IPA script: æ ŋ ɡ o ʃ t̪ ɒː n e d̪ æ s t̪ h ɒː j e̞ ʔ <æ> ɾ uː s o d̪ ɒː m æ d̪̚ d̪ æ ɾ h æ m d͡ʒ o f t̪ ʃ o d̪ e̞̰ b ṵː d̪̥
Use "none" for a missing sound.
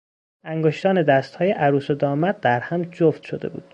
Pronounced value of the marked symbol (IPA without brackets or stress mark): æ